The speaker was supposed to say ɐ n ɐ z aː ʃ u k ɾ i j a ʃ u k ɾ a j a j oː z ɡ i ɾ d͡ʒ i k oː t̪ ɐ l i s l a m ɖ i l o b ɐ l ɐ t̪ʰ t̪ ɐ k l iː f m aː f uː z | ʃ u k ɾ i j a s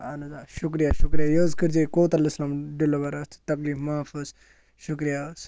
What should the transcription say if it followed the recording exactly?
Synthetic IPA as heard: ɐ n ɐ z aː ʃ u k ɾ i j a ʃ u k ɾ i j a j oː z k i ɾ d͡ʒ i k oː t̪ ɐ l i s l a m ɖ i l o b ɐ ɾ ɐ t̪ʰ t̪ ɐ k l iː f m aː f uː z | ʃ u k ɾ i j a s